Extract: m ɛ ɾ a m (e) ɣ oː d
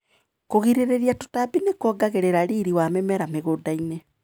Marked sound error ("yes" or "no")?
no